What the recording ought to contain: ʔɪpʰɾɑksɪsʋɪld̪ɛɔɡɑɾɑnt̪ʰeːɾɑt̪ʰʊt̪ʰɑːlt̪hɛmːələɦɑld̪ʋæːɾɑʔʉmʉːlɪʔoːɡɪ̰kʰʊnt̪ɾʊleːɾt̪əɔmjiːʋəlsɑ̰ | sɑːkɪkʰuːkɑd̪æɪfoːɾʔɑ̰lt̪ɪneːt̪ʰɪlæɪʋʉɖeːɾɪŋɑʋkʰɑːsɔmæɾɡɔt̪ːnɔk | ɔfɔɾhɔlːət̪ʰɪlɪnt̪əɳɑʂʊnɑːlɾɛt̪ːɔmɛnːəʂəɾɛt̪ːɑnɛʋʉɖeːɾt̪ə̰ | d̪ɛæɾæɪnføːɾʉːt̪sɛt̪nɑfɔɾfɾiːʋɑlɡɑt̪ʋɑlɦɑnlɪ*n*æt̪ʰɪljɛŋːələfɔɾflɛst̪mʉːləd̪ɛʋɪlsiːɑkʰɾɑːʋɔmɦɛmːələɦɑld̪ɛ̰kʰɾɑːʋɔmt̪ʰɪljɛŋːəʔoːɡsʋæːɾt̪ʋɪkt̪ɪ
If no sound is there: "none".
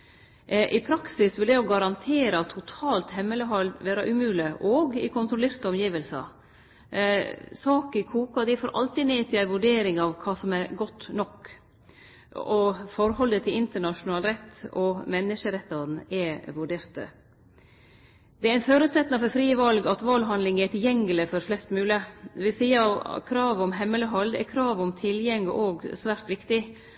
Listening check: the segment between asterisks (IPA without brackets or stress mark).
ŋ